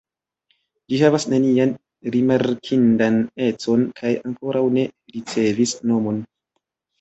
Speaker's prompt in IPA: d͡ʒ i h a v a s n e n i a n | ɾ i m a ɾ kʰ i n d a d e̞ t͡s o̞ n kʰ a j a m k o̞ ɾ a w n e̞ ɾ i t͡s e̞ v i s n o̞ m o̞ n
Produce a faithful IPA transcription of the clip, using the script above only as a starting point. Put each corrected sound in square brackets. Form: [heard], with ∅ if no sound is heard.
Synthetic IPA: d͡ʒ i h a v a s n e n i a n | ɾ i m a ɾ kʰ i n d a [n] e̞ t͡s o̞ n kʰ a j a [ŋ] k o̞ ɾ a w n e̞ ɾ i t͡s e̞ v i s n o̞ m o̞ n